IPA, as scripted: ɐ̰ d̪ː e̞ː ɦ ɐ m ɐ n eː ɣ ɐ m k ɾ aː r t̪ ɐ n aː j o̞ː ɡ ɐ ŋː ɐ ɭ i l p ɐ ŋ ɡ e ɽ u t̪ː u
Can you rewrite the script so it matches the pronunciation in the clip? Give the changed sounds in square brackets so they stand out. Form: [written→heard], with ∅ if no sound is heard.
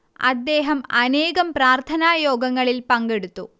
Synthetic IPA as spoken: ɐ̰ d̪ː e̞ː ɦ ɐ m ɐ n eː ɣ ɐ m [k→p] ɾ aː r [t̪→t̪ʰ] ɐ n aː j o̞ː ɡ ɐ ŋː ɐ ɭ i l p ɐ ŋ ɡ e ɽ u t̪ː u